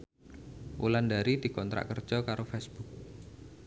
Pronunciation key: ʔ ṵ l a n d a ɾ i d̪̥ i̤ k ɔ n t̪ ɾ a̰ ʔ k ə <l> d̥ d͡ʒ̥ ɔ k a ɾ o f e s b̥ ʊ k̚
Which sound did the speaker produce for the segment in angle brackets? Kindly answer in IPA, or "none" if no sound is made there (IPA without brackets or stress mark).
r